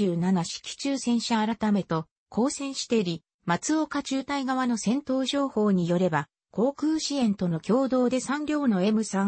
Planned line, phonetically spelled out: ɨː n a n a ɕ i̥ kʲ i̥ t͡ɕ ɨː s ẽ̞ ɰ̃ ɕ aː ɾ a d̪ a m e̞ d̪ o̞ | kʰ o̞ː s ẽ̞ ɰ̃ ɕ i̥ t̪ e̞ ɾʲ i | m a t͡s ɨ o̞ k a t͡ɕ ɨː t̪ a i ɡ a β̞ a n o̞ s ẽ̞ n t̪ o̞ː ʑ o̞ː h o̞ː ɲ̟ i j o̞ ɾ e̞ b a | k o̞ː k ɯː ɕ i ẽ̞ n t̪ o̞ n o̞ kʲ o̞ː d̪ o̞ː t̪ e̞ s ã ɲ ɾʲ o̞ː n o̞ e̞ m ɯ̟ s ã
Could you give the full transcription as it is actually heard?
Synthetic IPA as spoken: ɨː n a n a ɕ i̥ kʲ i̥ t͡ɕ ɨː s ẽ̞ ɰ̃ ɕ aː ɾ a t̪ a m e̞ t̪ o̞ | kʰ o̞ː s ẽ̞ ɰ̃ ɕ i̥ t̪ e̞ ɾʲ i | m a t͡s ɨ o̞ k a t͡ɕ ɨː t̪ a i ɡ a β̞ a n o̞ s ẽ̞ n t̪ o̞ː ʑ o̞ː h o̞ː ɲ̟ i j o̞ ɾ e̞ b a | k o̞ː k ɯː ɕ i ẽ̞ n t̪ o̞ n o̞ kʲ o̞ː d̪ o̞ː d̪ e̞ s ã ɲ ɾʲ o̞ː n o̞ e̞ m ɯ̟ s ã